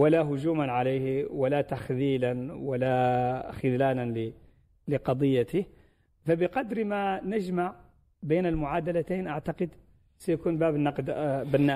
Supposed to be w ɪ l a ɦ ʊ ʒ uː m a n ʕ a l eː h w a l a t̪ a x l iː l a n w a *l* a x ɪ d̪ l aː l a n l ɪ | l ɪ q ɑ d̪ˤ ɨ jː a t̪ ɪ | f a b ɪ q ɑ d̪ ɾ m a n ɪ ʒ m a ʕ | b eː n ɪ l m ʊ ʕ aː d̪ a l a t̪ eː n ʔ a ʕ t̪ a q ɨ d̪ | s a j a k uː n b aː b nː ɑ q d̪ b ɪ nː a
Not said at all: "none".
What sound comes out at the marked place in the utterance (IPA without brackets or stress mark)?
l